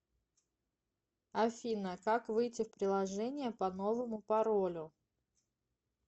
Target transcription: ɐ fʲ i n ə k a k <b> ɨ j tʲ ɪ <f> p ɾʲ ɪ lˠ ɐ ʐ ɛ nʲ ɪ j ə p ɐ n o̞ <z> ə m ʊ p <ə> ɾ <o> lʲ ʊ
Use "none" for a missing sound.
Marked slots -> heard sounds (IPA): v, f, v, ɐ, o

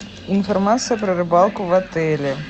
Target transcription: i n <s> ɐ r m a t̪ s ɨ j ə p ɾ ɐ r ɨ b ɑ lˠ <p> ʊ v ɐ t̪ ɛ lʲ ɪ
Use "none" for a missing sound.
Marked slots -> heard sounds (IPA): f, k

